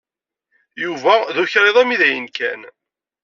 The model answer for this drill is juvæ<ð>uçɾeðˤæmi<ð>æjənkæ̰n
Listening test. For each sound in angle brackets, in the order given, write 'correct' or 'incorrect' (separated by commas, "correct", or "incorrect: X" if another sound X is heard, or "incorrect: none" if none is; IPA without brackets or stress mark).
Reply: correct, correct